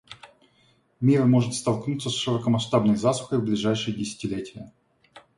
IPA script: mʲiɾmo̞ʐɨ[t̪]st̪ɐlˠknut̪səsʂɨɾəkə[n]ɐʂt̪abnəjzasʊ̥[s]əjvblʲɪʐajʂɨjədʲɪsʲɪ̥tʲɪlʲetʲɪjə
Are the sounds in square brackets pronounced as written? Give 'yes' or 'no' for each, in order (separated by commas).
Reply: yes, no, no